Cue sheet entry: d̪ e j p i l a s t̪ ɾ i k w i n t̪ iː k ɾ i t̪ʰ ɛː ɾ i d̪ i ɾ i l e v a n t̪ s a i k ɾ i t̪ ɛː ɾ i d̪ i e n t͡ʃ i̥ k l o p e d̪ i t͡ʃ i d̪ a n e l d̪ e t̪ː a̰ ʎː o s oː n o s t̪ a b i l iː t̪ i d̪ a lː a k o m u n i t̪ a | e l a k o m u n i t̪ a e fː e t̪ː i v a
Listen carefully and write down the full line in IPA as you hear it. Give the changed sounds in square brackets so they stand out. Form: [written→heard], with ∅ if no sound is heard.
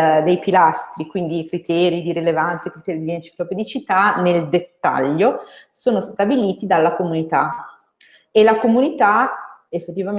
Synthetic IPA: d̪ e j p i l a s t̪ ɾ i k w i n [t̪→d̪] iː k ɾ i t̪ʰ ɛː ɾ i d̪ i ɾ i l e v a n t̪ s a i k ɾ i t̪ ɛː ɾ i d̪ i e n t͡ʃ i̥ k l o p e d̪ i t͡ʃ i [d̪→t̪] a n e l d̪ e t̪ː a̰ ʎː o s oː n o s t̪ a b i l iː t̪ i d̪ a lː a k o m u n i t̪ a | e l a k o m u n i t̪ a e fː e t̪ː i v a